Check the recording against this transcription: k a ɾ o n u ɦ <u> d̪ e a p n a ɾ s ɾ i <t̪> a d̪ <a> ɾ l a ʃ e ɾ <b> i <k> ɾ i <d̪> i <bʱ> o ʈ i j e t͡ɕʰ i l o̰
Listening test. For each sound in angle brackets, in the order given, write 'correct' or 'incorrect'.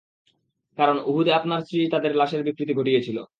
correct, correct, incorrect, correct, correct, incorrect, incorrect

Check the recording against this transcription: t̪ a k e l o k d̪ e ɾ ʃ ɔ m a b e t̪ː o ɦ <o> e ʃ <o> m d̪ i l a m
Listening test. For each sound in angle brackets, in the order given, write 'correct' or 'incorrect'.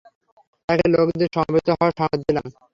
incorrect, incorrect

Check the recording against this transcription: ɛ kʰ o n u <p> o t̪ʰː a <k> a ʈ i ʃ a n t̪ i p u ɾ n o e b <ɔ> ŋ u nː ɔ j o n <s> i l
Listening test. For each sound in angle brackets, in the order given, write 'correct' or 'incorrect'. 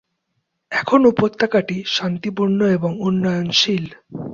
correct, correct, incorrect, incorrect

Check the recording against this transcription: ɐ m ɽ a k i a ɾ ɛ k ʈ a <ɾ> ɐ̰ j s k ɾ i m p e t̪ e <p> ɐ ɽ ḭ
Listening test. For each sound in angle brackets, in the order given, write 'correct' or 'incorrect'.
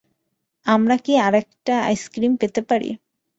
incorrect, correct

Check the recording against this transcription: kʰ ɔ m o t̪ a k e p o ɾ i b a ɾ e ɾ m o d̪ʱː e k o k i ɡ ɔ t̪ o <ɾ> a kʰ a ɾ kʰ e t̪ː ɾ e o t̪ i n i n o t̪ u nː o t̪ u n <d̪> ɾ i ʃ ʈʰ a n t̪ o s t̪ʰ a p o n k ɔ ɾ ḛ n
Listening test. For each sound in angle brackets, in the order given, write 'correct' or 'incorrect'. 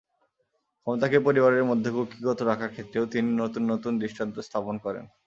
correct, correct

